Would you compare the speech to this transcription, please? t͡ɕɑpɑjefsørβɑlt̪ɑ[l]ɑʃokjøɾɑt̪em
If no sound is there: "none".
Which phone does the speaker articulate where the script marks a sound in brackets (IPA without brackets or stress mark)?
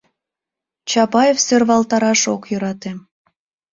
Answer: ɾ